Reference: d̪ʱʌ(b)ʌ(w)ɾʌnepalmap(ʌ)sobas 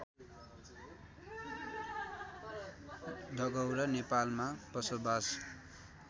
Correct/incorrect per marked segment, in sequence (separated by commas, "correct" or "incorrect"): incorrect, correct, correct